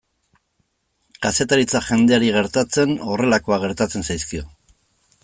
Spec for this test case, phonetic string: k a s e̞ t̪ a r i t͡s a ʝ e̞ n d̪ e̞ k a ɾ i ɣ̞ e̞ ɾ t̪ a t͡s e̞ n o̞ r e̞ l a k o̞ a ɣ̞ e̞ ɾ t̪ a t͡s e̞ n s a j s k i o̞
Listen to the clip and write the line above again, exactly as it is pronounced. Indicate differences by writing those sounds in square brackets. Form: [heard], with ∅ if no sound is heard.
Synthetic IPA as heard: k a s e̞ t̪ a [ɾ] i t͡s a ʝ e̞ n d̪ e̞ [∅] a ɾ i ɣ̞ e̞ ɾ t̪ a t͡s e̞ n o̞ r e̞ l a k o̞ a ɣ̞ e̞ ɾ t̪ a t͡s e̞ n s a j s k i o̞